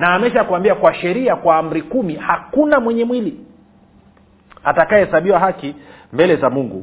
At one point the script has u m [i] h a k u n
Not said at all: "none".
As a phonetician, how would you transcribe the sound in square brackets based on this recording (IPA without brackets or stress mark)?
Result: i